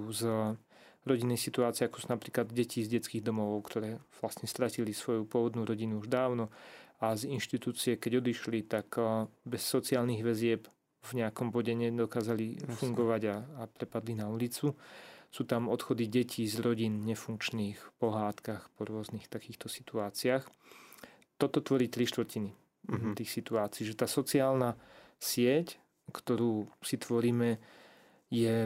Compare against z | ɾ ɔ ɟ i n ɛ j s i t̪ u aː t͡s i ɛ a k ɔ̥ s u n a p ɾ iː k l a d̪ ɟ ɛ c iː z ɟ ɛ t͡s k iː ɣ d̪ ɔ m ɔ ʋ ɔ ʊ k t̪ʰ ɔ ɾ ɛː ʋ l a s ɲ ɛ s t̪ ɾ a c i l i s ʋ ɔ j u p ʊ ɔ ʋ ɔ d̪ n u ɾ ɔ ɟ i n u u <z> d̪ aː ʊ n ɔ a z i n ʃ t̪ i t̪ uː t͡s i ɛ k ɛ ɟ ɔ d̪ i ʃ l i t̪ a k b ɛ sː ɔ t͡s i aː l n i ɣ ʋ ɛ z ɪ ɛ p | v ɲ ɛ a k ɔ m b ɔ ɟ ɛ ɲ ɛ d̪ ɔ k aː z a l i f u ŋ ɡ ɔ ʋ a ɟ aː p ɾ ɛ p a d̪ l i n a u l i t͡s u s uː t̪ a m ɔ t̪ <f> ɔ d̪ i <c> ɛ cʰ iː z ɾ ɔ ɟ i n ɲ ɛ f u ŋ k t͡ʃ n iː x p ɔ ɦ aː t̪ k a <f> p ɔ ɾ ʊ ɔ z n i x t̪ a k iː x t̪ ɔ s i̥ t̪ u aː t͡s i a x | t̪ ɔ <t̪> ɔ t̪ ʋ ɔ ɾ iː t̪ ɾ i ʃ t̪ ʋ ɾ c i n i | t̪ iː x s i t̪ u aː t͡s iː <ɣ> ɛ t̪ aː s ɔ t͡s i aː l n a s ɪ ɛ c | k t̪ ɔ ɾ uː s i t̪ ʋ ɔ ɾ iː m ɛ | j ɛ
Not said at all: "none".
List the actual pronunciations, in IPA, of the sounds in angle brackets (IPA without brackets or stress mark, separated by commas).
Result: ʒ, x, ɟ, x, t̪, ʒ